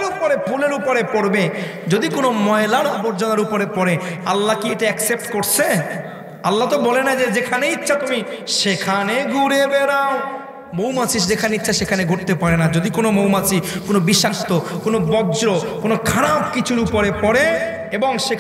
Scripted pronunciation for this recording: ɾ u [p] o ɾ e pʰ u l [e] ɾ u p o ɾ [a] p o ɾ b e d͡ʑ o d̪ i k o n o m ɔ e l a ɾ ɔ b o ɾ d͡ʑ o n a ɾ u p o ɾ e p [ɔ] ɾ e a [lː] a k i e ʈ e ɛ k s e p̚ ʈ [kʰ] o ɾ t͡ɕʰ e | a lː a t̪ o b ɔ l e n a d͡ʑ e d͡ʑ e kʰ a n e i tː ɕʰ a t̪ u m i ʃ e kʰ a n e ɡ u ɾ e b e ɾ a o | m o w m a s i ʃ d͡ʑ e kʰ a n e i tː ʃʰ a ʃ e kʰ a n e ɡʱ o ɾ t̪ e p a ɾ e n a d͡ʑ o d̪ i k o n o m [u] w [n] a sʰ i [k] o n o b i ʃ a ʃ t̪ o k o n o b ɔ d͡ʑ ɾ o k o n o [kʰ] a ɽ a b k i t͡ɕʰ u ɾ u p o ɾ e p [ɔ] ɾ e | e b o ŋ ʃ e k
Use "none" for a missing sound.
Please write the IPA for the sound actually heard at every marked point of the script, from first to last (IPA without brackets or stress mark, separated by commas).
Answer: p, e, e, ɔ, lː, k, o, m, k, kʰ, ɔ